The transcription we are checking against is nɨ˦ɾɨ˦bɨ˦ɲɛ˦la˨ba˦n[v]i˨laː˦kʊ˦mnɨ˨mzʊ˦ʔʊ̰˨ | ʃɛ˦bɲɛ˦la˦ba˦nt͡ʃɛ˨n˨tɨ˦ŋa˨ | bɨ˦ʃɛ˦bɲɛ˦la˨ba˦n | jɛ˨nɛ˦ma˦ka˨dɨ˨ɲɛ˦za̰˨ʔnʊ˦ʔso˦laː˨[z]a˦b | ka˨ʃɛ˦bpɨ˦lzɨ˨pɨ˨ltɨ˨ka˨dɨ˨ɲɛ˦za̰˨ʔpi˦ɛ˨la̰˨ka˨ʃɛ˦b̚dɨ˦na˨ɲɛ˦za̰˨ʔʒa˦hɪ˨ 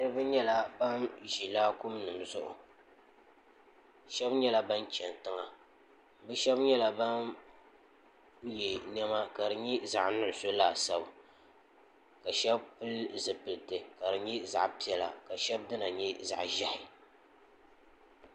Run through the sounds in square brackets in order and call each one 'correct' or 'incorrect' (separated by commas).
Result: incorrect, incorrect